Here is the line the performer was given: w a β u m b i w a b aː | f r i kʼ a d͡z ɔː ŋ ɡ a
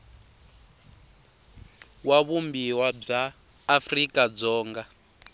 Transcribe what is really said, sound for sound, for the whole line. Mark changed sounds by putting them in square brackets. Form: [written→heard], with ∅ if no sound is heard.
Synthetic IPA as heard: w a β u m b i w a [b→b͡ʐ] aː | f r i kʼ a d͡z ɔː ŋ ɡ a